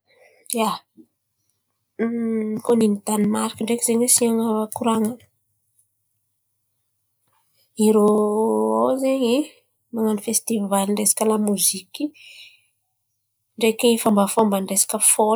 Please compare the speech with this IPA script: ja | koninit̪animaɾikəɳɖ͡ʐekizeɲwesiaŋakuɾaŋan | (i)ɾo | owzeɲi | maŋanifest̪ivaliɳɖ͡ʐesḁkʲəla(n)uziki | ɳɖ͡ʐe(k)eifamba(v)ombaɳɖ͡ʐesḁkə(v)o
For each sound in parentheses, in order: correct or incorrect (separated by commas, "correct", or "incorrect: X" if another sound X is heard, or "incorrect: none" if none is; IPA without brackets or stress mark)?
correct, incorrect: m, correct, incorrect: f, incorrect: f